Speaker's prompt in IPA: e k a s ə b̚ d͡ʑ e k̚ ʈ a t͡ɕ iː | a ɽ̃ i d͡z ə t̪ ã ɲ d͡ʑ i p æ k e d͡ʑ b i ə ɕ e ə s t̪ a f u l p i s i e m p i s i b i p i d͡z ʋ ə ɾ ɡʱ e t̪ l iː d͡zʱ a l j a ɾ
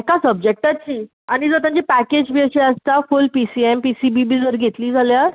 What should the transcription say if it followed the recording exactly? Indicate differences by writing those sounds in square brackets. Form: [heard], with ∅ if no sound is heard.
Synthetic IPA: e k a s ə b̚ d͡ʑ e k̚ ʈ a t͡ɕ iː | a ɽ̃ i d͡z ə t̪ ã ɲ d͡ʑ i p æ k e d͡ʑ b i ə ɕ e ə s t̪ a f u l p i s i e m p i s i b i [b] i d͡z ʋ ə ɾ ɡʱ e t̪ l iː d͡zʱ a l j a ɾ